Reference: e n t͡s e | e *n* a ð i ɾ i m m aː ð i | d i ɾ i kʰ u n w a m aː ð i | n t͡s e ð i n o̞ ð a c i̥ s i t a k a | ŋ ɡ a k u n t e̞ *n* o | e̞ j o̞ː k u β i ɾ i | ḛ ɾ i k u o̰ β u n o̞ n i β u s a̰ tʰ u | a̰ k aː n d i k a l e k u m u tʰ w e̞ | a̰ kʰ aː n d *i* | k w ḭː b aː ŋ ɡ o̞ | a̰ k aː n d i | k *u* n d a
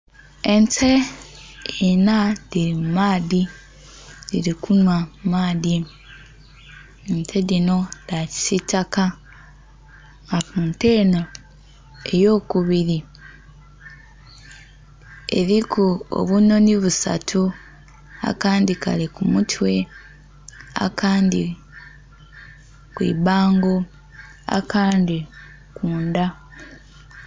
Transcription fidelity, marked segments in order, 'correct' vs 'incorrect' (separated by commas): correct, correct, correct, incorrect